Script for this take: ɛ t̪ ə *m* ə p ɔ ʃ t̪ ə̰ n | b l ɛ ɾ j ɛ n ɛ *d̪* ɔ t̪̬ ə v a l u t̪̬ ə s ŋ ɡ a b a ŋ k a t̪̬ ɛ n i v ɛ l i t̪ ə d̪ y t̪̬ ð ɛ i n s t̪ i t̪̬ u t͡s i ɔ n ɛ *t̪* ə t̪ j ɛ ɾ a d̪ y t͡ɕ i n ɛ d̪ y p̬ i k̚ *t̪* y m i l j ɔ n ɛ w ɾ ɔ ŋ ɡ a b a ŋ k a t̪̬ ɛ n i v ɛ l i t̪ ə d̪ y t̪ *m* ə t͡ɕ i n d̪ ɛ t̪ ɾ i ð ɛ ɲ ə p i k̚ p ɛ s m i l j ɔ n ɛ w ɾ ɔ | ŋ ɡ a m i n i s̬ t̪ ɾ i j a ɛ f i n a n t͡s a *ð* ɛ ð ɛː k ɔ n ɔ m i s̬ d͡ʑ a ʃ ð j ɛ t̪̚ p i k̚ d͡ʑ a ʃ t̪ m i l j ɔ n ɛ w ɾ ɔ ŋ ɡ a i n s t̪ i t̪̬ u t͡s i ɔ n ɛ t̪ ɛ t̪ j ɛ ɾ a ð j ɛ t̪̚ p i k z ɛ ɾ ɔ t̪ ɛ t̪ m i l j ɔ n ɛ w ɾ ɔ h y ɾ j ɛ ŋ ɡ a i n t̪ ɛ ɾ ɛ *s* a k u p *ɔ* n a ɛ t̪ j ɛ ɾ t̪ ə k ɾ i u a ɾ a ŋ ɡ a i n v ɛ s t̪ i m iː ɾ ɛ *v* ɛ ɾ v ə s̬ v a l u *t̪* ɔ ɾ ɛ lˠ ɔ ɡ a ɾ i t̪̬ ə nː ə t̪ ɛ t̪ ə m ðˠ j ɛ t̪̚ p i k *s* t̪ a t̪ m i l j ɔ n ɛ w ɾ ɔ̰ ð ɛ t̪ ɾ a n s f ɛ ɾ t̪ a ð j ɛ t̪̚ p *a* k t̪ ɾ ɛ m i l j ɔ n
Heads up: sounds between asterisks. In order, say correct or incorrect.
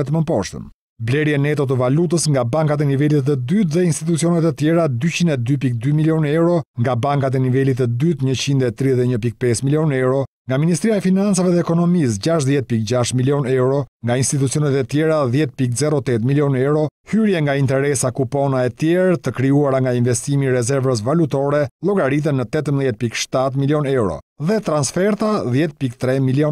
correct, incorrect: t̪, correct, incorrect: d̪, incorrect: ɲ, incorrect: v, correct, correct, incorrect: z, correct, incorrect: ʃ, incorrect: i

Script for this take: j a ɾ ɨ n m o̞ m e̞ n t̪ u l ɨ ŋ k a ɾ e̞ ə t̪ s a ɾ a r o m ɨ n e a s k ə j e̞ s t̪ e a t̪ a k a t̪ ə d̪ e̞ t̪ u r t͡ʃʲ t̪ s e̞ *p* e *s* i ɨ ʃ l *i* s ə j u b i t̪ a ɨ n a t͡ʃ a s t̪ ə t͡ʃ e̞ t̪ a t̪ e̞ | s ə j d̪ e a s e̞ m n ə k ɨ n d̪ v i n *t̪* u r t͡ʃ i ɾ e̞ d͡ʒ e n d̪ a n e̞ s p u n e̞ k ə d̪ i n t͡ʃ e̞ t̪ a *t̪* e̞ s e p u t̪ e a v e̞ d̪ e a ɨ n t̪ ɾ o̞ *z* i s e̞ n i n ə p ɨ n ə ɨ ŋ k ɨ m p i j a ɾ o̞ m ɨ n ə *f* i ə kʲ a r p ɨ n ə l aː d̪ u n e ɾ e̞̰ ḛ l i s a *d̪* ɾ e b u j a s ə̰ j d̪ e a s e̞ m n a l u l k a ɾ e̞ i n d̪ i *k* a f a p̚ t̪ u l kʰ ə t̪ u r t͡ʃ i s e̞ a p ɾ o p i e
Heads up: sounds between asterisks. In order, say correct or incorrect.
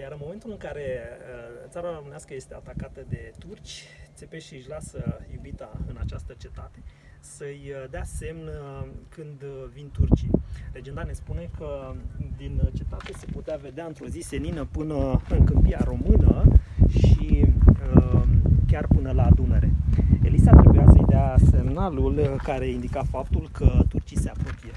correct, incorrect: ʃ, incorrect: a, correct, correct, correct, incorrect: ʃ, incorrect: t̪, correct

